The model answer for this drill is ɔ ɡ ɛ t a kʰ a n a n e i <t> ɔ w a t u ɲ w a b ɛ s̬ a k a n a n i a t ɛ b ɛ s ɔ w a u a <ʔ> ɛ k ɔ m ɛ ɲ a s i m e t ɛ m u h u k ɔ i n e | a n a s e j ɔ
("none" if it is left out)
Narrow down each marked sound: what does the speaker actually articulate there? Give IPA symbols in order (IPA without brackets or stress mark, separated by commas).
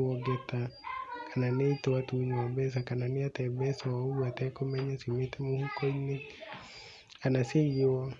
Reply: t, t